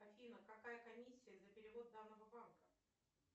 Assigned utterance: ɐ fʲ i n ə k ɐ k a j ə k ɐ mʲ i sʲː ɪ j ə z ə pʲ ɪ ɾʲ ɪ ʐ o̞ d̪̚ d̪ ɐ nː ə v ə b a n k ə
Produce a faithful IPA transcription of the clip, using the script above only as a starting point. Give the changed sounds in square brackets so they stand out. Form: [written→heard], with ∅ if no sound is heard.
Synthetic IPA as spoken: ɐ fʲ i n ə k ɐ k a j ə k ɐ mʲ i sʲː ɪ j ə z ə pʲ ɪ ɾʲ ɪ [ʐ→v] o̞ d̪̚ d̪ [ɐ→a] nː ə v ə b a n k ə